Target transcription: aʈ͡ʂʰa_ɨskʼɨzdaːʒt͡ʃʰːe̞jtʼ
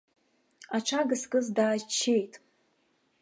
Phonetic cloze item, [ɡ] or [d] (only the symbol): ɡ